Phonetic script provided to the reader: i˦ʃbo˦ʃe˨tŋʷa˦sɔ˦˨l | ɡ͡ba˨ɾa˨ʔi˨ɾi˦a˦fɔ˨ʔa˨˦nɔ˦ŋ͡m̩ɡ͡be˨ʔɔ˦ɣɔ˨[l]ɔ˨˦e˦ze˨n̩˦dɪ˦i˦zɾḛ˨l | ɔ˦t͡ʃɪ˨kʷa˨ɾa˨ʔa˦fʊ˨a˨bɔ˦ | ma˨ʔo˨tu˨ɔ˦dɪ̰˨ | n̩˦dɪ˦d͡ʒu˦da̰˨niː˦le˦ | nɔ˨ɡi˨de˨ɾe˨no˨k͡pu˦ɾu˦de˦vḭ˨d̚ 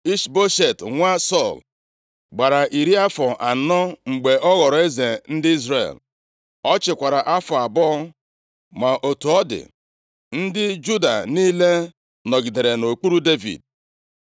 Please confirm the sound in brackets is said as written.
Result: no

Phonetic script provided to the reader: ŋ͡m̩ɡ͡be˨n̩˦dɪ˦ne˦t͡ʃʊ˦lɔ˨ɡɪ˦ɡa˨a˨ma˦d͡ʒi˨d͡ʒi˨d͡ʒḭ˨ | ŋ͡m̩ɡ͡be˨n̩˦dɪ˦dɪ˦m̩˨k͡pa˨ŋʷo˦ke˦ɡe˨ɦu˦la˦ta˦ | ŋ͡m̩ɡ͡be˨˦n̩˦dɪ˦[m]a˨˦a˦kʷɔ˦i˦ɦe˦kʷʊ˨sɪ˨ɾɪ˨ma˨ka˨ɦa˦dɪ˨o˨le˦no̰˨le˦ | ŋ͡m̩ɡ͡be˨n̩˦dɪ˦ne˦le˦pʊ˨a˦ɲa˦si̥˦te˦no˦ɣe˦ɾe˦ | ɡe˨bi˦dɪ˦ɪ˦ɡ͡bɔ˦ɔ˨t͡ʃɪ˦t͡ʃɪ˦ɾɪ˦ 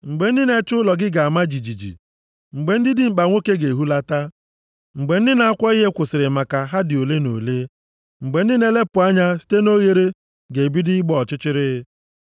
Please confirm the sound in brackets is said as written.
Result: no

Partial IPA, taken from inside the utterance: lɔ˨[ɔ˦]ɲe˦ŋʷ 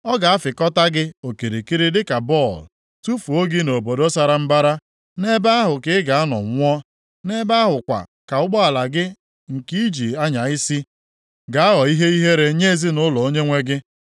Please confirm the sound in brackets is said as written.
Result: no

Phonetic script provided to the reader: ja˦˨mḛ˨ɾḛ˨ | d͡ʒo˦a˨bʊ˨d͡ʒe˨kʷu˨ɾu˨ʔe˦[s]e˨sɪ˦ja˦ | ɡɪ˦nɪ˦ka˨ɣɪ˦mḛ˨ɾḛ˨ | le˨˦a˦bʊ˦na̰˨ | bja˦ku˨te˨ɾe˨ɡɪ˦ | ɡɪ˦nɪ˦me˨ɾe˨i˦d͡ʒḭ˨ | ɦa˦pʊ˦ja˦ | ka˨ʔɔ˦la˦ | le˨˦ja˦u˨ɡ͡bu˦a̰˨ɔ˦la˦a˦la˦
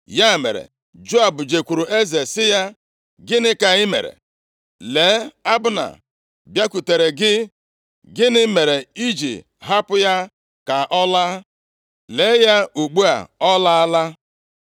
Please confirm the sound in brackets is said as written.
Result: no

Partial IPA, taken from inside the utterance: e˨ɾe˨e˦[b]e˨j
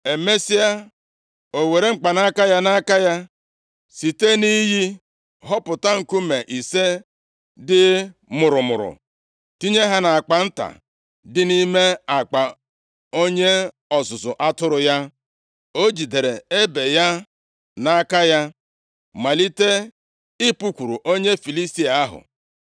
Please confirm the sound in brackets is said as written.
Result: yes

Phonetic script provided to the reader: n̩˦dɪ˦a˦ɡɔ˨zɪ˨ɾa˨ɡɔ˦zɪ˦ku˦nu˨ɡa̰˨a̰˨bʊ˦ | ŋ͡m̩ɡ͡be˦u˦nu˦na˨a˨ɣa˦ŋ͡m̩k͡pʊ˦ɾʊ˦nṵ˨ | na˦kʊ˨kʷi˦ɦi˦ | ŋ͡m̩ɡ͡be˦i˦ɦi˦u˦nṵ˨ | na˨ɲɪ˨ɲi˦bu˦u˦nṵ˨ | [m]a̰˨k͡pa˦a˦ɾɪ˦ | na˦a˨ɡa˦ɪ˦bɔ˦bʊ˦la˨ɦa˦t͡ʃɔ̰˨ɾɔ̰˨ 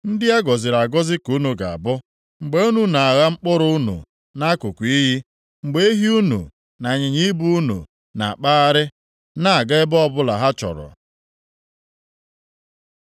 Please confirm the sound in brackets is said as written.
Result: no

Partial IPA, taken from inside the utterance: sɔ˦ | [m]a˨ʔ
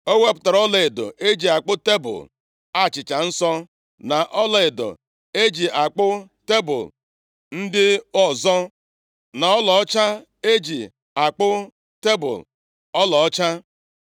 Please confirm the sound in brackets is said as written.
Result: no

